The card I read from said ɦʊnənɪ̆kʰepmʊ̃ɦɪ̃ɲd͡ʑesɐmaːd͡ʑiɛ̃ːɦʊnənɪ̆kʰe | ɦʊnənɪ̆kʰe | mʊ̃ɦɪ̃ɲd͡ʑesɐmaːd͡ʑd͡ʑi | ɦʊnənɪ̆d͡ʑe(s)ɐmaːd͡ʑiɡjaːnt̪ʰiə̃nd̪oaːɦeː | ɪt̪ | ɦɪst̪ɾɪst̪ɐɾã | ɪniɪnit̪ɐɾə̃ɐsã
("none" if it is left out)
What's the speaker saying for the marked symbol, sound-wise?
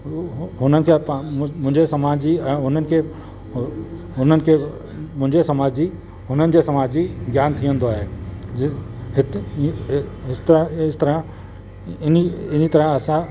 s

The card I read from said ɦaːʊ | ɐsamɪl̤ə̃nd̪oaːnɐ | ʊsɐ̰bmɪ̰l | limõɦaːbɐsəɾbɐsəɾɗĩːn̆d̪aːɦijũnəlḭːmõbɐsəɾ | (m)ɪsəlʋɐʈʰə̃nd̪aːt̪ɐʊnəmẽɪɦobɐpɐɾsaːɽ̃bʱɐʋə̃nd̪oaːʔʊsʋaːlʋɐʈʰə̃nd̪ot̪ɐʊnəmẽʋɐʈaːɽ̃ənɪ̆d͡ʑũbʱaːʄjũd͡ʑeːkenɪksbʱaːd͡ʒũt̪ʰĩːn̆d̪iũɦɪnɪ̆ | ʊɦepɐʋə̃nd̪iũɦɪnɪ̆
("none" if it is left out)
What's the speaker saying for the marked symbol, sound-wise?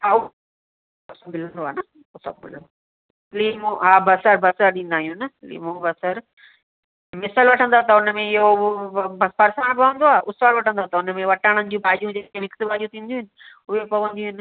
m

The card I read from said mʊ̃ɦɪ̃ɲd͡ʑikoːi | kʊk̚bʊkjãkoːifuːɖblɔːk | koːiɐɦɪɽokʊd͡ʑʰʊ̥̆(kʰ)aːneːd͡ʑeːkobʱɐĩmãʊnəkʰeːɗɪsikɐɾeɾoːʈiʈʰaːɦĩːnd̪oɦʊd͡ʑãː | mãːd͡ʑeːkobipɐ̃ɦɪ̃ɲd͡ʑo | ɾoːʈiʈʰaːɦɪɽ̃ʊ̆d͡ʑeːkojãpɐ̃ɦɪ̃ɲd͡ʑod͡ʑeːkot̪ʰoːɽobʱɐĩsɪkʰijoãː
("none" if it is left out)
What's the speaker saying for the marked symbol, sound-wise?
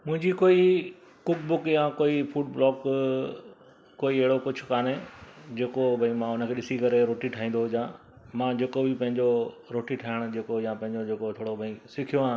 k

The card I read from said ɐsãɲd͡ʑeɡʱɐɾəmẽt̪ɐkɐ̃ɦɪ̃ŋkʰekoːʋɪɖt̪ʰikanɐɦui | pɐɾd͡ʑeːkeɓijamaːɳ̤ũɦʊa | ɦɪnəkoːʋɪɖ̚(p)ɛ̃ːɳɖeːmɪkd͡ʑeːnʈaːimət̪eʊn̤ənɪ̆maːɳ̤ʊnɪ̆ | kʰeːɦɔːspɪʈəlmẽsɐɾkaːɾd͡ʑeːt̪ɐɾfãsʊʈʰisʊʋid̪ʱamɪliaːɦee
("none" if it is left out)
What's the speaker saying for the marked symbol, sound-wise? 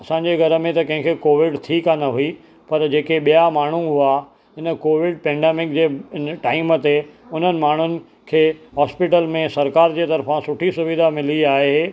p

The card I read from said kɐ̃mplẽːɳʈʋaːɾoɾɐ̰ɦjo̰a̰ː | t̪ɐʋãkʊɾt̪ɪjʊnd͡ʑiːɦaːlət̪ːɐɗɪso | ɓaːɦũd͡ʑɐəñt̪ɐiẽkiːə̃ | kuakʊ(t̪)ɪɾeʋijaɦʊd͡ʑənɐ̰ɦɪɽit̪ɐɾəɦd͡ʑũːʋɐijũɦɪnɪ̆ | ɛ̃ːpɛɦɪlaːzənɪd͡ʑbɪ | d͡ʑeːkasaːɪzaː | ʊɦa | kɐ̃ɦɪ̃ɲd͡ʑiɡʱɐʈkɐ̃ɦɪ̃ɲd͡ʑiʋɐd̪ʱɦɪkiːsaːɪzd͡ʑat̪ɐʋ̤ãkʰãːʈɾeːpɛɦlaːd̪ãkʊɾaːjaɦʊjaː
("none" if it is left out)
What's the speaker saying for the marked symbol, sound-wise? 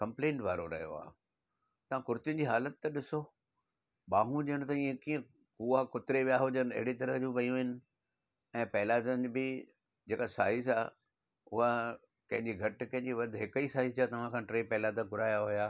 t̪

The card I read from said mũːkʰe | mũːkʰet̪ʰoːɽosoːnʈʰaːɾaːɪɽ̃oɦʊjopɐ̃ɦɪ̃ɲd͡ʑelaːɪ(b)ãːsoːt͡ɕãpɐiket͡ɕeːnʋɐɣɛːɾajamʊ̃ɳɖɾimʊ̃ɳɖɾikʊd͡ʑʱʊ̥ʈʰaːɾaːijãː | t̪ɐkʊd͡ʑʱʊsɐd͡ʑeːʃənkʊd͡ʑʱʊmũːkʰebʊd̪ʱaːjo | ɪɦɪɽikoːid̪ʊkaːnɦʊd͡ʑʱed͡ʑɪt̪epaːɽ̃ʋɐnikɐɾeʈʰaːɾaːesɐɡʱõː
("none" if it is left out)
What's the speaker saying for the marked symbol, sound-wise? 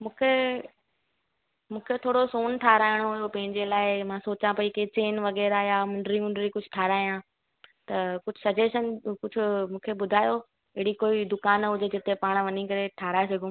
m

